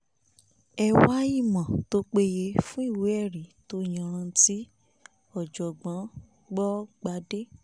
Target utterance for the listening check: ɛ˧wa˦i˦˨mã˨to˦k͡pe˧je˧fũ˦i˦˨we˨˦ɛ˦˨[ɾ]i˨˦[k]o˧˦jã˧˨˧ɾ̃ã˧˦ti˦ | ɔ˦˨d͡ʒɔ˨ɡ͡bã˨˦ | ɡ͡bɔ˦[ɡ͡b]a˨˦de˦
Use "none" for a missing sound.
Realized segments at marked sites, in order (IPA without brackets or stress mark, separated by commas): ɾ, t, ɡ͡b